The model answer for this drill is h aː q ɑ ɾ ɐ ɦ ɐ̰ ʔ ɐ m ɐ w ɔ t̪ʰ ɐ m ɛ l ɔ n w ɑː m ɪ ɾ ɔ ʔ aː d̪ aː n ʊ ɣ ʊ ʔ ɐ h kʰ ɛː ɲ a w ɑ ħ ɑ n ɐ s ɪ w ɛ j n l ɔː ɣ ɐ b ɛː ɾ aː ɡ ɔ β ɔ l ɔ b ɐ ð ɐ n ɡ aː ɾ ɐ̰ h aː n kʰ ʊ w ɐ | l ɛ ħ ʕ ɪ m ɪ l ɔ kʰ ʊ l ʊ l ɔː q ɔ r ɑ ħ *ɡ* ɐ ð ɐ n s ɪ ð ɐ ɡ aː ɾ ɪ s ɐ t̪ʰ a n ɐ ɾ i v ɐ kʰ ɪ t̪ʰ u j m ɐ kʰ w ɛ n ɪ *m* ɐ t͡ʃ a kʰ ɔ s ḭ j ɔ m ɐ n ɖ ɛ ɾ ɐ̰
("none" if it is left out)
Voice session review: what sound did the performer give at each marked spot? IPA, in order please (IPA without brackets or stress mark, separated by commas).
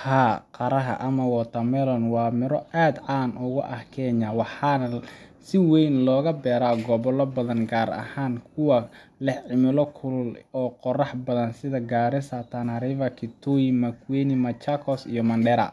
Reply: b, m